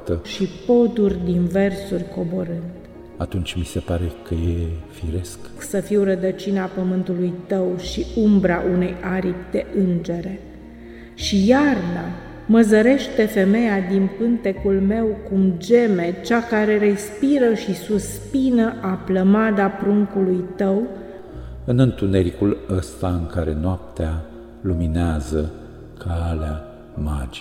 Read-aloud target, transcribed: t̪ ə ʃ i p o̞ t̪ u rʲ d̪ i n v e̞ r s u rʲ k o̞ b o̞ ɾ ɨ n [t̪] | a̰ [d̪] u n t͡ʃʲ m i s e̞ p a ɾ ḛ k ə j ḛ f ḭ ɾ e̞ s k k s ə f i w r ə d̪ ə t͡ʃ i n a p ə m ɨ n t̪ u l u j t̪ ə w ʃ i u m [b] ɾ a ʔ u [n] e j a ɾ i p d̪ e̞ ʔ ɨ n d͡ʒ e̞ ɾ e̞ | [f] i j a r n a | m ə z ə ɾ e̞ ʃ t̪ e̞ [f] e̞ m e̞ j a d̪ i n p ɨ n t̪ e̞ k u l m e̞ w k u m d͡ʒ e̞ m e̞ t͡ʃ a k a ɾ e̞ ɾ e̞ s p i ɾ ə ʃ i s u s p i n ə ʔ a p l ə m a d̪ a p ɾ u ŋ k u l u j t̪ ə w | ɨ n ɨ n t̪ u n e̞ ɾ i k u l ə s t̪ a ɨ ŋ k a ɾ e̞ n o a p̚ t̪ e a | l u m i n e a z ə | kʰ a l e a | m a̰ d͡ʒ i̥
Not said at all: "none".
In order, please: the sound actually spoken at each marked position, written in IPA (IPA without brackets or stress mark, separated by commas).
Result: d̪, t̪, b, n, ʃ, f